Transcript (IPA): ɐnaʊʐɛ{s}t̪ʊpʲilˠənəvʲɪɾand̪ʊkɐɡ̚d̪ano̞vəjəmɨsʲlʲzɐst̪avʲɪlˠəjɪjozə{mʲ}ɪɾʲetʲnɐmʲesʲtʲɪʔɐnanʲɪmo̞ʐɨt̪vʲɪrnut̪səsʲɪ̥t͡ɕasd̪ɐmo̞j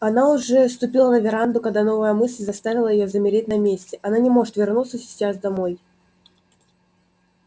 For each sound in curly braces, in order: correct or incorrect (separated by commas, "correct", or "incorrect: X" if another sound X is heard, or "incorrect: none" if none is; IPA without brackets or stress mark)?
correct, correct